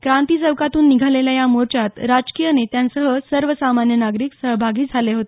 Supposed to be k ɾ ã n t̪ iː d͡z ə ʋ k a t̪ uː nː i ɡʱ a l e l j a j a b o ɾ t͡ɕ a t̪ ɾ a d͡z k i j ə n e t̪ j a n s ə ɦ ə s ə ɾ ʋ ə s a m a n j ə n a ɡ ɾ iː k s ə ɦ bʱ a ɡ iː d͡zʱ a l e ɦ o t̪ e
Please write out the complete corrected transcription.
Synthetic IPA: k ɾ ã n t̪ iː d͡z ə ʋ k a t̪ uː nː i ɡʱ a l e l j a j a m o ɾ t͡ɕ a t̪ ɾ a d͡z k i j ə n e t̪ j a n s ə ɦ ə s ə ɾ ʋ ə s a m a n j ə n a ɡ ɾ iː k s ə ɦ bʱ a ɡ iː d͡zʱ a l e ɦ o t̪ e

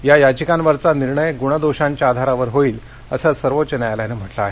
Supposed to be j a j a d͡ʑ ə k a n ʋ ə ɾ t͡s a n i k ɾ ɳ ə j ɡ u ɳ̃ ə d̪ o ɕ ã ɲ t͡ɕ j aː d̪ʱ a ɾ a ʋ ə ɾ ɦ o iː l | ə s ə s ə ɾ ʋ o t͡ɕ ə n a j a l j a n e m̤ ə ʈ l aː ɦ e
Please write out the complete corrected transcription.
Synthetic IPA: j a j a d͡ʑ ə k a n ʋ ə ɾ t͡s a n i ɾ ɳ ə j ɡ u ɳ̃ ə d̪ o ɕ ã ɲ t͡ɕ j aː d̪ʱ a ɾ a ʋ ə ɾ ɦ o iː l | ə s ə s ə ɾ ʋ o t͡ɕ ə n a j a l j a n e m̤ ə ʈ l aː ɦ e

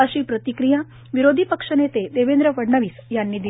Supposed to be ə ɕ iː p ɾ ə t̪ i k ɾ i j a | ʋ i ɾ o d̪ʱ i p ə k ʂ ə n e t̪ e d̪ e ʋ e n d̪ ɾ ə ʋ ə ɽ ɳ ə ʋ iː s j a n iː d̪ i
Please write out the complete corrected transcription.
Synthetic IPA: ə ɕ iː p ɾ ə t̪ i k ɾ i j a | ʋ i ɾ o d̪ʱ i p ə k ʂ ə n e t̪ e d̪ e ʋ e n d̪ ɾ ə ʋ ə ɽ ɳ ə ʋ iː s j a nː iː d̪ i

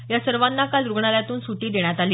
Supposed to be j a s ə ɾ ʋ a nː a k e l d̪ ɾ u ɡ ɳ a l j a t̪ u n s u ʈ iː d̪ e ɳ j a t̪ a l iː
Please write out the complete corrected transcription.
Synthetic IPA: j a s ə ɾ ʋ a nː a k a l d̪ ɾ u ɡ ɳ a l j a t̪ uː n s u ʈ iː d̪ e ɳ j a t̪ a l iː

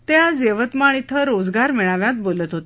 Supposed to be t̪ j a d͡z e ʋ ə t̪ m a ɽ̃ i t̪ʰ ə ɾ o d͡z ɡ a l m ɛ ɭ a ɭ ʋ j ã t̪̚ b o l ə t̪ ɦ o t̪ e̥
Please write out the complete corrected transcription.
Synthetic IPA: t̪ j a d͡z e ʋ ə t̪ m a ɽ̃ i t̪ʰ ə ɾ o d͡z ɡ a ɾ m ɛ ɭ a ʋ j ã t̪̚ b o l ə t̪ ɦ o t̪ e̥

